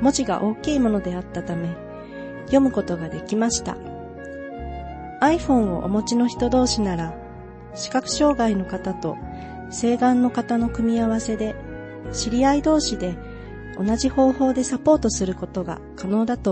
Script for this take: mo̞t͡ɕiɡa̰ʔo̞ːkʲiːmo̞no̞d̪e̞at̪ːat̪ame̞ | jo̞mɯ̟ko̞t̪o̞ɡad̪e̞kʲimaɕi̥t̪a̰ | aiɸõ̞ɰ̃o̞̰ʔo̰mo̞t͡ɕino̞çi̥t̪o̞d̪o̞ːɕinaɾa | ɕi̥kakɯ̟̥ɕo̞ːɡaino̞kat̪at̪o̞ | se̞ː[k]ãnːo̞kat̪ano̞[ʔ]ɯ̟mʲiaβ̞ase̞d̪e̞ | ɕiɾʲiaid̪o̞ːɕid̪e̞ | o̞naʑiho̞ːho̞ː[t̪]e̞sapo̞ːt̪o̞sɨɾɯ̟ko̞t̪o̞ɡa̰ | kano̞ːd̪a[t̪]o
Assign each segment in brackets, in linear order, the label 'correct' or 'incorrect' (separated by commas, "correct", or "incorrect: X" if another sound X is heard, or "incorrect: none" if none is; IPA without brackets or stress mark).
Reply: incorrect: ɡ, incorrect: k, incorrect: d̪, correct